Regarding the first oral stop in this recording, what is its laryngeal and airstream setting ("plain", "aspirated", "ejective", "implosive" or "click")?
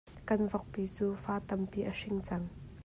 plain